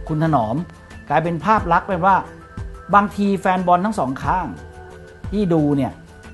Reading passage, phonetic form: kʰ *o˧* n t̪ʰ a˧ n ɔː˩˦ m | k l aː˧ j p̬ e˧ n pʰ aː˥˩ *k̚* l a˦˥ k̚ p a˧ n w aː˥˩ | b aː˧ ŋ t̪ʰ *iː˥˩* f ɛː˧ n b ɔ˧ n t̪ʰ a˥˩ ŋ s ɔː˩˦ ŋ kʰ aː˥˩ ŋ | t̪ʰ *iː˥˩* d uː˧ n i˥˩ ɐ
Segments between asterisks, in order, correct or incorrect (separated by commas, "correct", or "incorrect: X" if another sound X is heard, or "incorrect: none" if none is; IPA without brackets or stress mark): incorrect: u˧, incorrect: p̚, incorrect: iː˧, correct